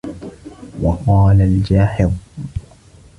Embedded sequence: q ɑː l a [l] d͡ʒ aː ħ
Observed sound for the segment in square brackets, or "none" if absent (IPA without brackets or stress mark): l